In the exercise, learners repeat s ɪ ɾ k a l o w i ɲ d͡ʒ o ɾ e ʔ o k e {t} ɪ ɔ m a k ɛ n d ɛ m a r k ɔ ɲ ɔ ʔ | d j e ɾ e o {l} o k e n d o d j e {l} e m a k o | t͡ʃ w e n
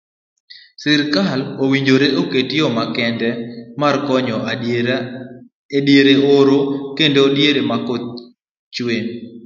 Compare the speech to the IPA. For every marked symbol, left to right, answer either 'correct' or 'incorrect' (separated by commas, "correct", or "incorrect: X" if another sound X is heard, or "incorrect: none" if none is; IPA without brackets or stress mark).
correct, incorrect: ɾ, incorrect: ɾ